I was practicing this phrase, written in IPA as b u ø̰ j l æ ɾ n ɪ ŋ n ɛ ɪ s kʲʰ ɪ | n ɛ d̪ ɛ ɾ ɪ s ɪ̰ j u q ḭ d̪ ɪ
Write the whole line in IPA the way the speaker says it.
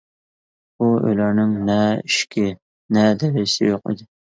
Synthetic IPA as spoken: b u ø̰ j l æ ɾ n ɪ ŋ n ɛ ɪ ʃ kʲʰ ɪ | n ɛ d̪ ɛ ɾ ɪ s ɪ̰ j o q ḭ d̪ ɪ

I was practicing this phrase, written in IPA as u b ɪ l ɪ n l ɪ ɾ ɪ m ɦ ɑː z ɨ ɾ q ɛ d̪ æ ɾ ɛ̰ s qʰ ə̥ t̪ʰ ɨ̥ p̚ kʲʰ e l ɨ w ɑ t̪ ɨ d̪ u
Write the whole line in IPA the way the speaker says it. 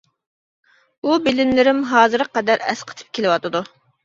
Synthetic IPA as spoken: u b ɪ l ɪ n l ɪ ɾ ɪ m ɦ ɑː z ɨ ɾ q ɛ d̪ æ ɾ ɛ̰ s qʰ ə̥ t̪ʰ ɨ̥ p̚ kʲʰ e l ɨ w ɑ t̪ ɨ d̪ u

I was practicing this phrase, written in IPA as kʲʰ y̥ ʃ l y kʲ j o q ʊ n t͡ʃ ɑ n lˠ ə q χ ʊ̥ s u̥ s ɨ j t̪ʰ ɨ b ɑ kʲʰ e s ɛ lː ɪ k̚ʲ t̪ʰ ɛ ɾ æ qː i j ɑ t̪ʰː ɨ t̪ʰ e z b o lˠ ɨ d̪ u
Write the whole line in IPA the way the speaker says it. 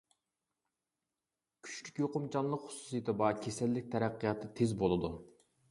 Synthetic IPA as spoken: kʲʰ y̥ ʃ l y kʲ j o q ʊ m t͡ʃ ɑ n lˠ ə q χ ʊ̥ s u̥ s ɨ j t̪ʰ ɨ b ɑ kʲʰ e s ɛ lː ɪ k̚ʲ t̪ʰ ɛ ɾ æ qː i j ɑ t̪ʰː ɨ t̪ʰ e z b o lˠ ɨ d̪ u

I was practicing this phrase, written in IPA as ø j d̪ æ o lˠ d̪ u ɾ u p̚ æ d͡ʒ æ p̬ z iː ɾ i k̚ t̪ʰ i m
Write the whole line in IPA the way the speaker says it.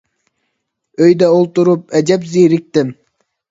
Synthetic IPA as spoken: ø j d̪ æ o lˠ t̪ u ɾ u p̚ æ d͡ʒ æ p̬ z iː ɾ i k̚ t̪ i m

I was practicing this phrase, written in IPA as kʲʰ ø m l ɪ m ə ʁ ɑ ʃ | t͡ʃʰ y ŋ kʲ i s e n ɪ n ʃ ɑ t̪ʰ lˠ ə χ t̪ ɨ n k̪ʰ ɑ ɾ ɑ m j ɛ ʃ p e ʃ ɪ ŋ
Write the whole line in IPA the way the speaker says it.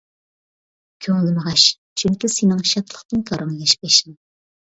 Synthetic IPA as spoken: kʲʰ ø ŋ l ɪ m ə ʁ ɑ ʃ | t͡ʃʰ y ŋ kʲ i s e n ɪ ŋ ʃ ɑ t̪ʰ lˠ ə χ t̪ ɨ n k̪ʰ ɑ ɾ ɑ ŋ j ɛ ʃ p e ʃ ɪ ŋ

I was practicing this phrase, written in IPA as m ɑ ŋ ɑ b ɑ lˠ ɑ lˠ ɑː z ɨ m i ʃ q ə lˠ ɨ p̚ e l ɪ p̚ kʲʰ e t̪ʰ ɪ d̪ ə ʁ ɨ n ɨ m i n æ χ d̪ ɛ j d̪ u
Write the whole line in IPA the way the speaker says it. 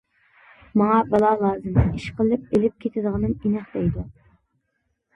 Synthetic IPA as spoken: m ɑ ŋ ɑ b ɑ lˠ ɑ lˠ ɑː z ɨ m i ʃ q ə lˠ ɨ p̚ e l ɪ p̚ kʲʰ e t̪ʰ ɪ d̪ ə ʁ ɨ n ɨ m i n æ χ d̪ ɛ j d̪ u

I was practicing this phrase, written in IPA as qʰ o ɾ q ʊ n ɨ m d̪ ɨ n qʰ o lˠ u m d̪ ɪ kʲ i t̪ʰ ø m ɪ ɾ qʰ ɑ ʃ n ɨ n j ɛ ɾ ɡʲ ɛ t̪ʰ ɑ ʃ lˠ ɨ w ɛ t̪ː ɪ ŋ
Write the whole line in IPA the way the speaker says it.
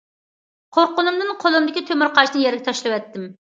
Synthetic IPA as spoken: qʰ o ɾ q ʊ n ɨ m d̪ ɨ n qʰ o lˠ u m d̪ ɪ kʲ i t̪ʰ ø m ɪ ɾ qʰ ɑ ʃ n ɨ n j ɛ ɾ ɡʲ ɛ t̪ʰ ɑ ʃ lˠ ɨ w ɛ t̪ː ɪ m

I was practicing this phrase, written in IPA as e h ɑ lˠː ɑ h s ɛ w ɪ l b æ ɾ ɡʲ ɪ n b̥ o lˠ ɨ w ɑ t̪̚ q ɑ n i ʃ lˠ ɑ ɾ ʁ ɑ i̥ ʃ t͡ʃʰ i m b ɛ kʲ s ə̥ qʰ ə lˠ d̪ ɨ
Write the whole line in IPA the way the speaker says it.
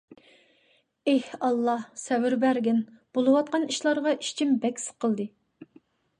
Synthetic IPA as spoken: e h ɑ lˠː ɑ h s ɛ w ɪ ɾ b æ ɾ ɡʲ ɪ n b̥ o lˠ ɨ w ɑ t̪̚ q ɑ n i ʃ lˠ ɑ ɾ ʁ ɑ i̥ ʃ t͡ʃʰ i m b ɛ kʲ s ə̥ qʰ ə lˠ d̪ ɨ

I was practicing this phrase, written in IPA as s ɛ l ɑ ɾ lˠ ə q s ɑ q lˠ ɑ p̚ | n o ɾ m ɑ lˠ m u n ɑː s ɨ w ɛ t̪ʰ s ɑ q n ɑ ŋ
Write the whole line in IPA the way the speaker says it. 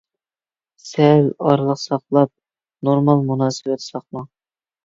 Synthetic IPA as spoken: s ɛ l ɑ ɾ lˠ ə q s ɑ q lˠ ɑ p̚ | n o ɾ m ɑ lˠ m u n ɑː s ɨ w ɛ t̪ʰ s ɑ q m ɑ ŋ

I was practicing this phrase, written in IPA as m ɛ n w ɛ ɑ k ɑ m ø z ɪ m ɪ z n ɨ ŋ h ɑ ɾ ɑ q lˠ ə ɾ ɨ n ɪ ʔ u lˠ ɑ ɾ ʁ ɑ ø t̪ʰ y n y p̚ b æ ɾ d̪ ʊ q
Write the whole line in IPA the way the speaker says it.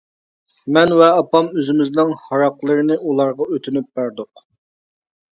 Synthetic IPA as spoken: m ɛ n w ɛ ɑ p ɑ m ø z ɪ m ɪ z n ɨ ŋ h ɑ ɾ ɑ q lˠ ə ɾ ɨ n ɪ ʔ u lˠ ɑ ɾ ʁ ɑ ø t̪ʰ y n y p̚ b æ ɾ d̪ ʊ q

